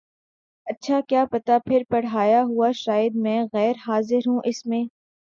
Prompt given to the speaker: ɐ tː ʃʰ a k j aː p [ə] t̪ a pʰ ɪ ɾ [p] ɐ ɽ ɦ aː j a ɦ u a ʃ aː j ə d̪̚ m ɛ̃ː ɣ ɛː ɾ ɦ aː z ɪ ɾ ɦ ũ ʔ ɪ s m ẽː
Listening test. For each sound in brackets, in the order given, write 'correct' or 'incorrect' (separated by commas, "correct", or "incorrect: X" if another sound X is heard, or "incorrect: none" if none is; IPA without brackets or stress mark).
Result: incorrect: ɐ, correct